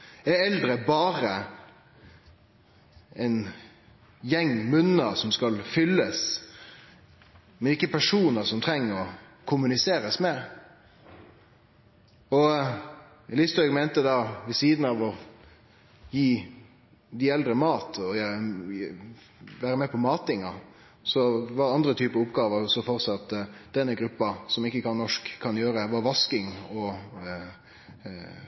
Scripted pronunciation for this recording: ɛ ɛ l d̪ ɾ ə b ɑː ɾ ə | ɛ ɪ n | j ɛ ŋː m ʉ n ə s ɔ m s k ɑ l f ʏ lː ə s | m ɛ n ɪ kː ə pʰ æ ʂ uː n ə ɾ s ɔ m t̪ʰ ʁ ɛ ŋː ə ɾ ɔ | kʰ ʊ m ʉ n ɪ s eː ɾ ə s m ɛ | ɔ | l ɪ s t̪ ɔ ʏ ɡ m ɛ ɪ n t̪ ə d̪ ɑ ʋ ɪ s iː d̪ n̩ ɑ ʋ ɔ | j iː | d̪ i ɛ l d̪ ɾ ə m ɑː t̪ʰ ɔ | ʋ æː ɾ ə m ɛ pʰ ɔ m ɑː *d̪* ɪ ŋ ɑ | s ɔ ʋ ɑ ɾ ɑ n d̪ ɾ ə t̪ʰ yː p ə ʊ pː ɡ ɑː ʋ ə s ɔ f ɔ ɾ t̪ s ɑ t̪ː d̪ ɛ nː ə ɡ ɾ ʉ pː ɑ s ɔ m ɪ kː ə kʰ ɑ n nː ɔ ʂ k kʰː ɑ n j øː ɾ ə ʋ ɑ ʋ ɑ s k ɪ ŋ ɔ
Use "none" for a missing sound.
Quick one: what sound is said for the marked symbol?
t̪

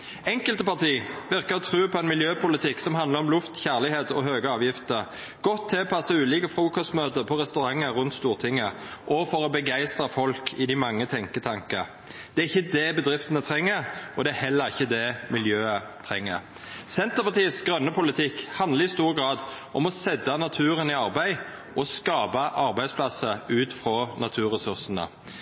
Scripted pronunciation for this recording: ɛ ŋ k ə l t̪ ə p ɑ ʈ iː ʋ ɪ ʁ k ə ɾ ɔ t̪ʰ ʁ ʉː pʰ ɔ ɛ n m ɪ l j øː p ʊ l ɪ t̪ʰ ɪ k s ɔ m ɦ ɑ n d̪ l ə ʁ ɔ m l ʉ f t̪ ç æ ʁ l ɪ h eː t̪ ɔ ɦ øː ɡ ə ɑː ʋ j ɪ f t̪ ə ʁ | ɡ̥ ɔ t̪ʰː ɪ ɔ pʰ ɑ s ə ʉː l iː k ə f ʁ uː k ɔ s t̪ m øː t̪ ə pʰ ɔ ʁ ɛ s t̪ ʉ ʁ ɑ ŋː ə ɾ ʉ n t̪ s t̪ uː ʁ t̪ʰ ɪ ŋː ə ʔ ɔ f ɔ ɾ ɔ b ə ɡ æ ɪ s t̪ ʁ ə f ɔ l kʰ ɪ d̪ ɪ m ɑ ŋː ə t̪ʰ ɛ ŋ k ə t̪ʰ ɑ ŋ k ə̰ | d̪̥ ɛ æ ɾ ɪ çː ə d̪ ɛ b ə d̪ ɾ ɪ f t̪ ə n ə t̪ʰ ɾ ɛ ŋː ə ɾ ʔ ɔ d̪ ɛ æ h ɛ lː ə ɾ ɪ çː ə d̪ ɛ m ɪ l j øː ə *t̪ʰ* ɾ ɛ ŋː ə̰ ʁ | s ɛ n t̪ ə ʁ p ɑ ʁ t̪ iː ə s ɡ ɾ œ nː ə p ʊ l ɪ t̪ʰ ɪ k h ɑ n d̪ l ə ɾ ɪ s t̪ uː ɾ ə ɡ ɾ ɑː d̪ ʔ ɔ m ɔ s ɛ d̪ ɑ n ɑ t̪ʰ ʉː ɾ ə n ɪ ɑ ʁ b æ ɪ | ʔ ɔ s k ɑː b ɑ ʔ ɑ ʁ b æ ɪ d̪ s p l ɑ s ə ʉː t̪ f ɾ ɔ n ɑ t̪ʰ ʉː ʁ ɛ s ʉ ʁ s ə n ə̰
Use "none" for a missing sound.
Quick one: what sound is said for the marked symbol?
t̪ʰ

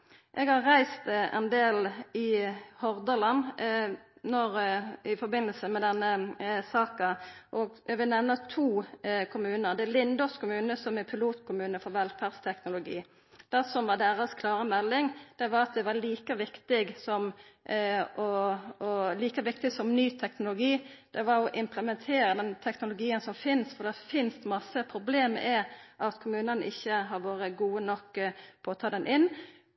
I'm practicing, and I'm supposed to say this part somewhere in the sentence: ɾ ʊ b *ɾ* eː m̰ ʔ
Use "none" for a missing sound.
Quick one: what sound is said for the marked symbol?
l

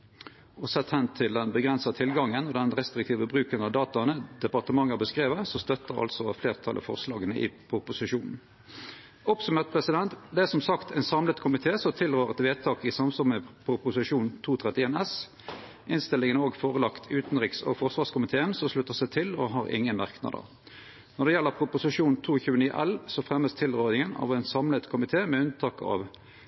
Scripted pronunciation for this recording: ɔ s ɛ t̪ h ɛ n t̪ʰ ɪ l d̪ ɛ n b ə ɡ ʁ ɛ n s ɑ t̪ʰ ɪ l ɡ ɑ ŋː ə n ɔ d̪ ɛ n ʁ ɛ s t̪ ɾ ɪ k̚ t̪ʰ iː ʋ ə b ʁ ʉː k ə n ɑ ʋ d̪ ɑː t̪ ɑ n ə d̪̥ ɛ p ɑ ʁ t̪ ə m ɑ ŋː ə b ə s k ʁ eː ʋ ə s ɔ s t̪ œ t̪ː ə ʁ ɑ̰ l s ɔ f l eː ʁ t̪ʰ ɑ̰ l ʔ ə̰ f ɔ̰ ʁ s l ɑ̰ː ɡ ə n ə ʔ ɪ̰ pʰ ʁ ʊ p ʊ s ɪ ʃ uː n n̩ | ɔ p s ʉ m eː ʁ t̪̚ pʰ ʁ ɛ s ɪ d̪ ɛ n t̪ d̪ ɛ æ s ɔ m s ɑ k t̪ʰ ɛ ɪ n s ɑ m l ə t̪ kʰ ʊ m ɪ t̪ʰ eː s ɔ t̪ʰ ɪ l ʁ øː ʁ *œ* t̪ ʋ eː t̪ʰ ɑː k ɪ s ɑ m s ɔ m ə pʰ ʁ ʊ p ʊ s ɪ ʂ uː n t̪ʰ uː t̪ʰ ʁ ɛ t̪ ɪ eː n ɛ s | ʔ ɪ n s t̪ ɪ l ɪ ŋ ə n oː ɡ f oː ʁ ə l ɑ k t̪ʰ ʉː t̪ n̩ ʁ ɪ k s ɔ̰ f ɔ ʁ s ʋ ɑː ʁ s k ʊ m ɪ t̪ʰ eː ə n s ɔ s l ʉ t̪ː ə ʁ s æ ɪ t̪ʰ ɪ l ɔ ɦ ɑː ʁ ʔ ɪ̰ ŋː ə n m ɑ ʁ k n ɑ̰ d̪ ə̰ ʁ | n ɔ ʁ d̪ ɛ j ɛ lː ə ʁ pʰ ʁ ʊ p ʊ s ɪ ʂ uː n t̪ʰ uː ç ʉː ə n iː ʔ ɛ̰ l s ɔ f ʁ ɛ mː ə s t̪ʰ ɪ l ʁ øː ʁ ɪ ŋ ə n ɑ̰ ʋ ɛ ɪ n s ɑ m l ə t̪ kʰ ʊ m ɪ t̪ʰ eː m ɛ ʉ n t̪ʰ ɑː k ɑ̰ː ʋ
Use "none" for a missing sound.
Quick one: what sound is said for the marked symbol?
ɛ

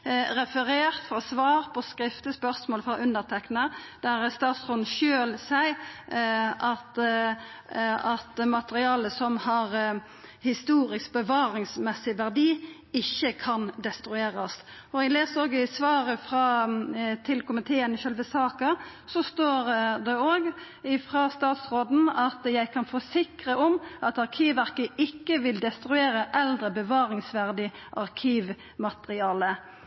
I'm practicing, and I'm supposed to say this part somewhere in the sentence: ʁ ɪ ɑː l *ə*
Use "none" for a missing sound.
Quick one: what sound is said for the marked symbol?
ə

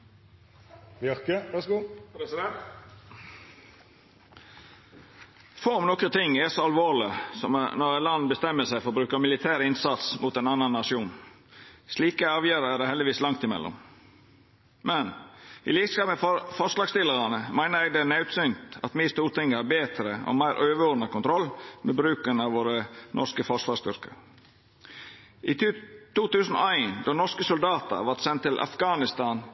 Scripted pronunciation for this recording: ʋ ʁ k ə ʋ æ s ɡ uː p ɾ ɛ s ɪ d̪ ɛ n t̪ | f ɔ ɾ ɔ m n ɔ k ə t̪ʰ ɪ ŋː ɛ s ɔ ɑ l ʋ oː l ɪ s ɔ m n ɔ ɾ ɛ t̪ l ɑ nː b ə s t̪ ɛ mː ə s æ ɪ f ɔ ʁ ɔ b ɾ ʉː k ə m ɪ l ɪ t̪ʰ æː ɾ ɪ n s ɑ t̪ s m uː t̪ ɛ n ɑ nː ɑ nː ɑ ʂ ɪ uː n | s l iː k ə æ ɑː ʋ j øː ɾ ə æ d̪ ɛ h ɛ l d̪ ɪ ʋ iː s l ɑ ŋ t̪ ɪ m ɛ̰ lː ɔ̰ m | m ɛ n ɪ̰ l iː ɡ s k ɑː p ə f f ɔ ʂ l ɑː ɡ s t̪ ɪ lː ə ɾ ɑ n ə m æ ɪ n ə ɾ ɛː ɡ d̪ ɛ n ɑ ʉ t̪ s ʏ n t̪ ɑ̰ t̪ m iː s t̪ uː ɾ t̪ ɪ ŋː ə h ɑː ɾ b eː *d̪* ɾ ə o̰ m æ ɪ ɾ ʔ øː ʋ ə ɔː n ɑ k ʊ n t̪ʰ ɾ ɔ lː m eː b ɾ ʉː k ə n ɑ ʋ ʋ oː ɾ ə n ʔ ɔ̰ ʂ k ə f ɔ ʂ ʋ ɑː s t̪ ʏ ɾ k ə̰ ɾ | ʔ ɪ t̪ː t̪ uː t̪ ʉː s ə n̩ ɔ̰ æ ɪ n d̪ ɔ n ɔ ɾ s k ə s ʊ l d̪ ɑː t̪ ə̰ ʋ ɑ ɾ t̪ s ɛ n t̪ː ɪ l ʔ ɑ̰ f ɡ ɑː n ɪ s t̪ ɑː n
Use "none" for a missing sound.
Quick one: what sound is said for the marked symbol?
t̪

